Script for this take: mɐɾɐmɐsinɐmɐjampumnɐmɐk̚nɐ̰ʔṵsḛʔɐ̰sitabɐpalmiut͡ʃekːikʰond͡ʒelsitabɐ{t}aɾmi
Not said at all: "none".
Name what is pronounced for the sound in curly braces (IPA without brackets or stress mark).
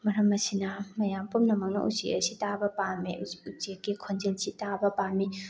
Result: p